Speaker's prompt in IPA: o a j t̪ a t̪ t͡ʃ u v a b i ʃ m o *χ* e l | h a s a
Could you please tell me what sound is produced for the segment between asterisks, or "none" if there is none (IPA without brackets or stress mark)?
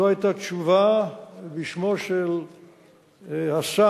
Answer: ʃ